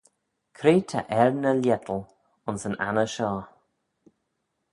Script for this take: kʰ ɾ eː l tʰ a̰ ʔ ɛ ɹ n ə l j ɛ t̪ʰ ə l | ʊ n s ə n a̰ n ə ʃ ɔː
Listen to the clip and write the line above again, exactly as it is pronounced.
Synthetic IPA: kʰ ɾ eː tʰ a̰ ʔ ɛ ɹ n ə l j ɛ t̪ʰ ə l | ʊ n s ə n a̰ n ə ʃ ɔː

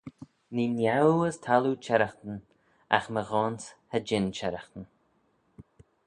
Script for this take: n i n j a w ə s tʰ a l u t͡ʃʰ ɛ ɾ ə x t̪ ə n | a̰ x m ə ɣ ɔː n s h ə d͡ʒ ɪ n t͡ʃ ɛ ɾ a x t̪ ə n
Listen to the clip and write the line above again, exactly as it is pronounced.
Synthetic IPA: n i n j a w ə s tʰ a l u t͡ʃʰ ɛ ɾ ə x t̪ ə n | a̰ x m ə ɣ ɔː n s h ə d͡ʒ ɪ n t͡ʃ ɛ ɾ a x t̪ ə n

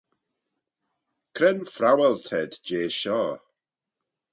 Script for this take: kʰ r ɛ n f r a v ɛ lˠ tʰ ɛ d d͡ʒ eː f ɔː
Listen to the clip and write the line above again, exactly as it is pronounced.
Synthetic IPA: kʰ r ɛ n f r a w ɛ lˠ tʰ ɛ d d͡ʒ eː ʃ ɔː

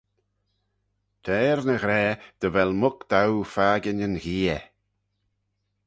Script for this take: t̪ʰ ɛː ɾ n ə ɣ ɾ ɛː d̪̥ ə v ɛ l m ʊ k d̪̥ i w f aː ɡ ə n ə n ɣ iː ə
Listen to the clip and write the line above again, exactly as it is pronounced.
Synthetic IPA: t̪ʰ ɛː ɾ n ə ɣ ɾ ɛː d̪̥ ə v ɛ l m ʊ k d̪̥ a w f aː ɡ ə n ə n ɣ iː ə

